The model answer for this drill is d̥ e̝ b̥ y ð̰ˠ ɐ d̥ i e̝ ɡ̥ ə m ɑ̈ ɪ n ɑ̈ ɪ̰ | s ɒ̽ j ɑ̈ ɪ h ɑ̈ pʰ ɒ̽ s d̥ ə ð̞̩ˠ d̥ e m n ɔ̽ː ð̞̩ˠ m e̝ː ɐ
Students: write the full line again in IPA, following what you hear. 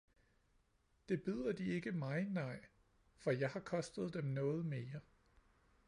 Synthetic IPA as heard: d̥ e̝ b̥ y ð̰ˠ ɐ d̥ i e̝ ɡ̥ ə m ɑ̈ ɪ n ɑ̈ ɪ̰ | f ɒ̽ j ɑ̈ ɪ h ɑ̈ kʰ ɒ̽ s d̥ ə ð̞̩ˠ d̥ e m n ɔ̽ː ð̞̩ˠ m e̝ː ɐ